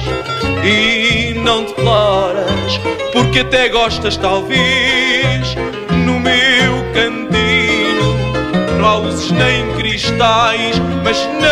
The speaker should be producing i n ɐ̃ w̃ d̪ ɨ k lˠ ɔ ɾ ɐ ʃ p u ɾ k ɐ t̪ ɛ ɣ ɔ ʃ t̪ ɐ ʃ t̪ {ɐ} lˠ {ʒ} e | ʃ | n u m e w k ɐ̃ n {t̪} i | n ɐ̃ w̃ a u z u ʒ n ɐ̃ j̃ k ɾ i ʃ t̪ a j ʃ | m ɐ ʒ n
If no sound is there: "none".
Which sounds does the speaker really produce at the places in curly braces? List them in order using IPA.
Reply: a, v, t̪

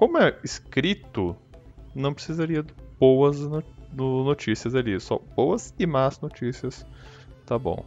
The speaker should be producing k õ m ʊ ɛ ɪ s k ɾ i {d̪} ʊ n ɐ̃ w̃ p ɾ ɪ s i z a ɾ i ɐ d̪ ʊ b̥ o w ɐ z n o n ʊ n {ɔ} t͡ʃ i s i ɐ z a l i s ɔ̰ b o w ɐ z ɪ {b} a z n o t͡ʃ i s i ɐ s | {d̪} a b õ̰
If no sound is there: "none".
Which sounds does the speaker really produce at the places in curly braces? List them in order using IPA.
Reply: t̪, o, m, t̪

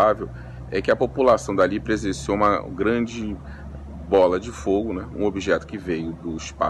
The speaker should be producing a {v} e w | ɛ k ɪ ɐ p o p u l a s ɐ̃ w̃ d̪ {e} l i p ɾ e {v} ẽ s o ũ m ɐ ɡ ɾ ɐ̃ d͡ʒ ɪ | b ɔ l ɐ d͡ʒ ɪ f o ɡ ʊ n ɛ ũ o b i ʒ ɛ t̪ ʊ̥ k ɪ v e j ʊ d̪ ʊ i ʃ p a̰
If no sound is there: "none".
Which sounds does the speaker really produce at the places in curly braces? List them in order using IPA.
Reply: v, a, z

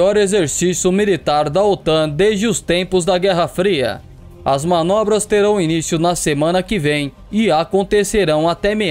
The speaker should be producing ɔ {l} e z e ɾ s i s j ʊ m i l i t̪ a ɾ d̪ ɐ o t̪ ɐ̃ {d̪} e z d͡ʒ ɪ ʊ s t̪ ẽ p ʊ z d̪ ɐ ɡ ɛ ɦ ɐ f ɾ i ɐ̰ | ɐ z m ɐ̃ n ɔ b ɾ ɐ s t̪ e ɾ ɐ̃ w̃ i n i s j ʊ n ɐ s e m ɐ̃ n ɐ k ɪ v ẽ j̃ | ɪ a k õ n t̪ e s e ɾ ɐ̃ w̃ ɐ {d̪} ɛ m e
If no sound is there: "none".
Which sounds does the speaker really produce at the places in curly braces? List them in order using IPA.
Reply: ɾ, d̪, t̪

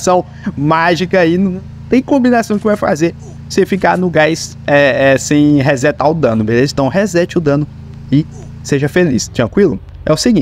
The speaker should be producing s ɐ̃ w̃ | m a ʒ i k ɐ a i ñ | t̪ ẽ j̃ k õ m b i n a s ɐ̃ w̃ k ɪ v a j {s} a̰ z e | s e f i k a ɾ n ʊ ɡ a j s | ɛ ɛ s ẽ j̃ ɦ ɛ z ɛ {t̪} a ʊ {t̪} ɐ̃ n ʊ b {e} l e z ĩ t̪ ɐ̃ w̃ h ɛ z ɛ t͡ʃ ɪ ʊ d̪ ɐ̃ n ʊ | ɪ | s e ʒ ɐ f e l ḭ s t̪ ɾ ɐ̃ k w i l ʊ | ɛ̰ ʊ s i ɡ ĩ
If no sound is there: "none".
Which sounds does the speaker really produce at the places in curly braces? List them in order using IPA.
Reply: f, t̪, d̪, e

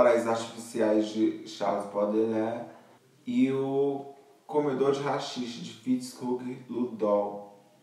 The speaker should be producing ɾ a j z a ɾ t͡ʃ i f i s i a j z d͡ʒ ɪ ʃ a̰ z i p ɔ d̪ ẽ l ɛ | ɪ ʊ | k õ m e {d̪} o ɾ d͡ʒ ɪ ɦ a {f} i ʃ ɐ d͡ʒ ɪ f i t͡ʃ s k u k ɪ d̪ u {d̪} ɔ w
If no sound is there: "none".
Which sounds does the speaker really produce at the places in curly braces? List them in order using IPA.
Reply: d̪, ʃ, d̪

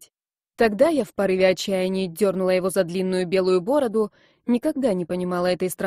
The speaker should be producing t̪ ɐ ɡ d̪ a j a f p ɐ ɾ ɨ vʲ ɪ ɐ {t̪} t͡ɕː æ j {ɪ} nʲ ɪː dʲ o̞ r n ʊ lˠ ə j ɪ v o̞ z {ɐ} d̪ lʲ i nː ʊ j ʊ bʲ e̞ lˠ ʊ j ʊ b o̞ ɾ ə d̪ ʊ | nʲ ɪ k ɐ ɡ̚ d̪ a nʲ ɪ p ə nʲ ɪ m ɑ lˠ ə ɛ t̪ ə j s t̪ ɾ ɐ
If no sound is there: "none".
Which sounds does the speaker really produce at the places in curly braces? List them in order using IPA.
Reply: none, ɪ, ɐ

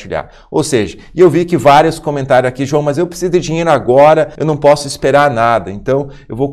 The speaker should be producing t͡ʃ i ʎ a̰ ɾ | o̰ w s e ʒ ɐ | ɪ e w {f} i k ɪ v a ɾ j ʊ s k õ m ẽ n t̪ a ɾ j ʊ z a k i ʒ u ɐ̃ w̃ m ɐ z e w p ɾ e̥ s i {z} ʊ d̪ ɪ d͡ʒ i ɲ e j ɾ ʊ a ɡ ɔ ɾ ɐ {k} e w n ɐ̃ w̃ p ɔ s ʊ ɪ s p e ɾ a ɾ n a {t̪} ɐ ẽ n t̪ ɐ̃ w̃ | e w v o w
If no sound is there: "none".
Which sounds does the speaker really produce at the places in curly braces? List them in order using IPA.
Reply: v, z, none, d̪

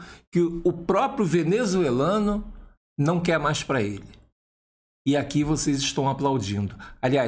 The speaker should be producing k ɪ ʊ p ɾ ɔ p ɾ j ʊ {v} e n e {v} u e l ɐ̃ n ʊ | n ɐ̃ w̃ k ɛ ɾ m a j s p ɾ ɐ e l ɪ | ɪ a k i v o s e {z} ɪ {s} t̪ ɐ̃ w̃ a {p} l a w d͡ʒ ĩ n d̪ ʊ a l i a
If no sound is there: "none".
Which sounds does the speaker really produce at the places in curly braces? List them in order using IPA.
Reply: v, z, z, ʃ, p

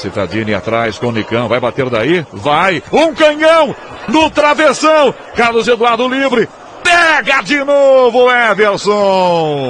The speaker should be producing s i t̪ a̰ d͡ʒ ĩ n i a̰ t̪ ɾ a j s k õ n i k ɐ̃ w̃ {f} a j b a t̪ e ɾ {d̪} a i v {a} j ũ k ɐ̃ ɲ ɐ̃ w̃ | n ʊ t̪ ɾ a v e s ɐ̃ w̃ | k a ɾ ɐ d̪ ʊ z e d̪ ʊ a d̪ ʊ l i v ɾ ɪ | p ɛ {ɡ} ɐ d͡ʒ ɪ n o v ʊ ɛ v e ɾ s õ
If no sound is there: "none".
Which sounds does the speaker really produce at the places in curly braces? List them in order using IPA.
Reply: v, d̪, a, ɡ

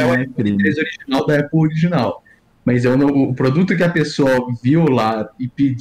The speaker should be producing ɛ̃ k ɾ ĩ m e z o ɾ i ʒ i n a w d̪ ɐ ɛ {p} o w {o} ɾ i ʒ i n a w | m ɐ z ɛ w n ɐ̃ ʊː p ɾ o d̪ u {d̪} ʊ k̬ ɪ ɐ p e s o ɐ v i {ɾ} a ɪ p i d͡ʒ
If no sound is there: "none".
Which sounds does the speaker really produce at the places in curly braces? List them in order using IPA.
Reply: p, o, t̪, l

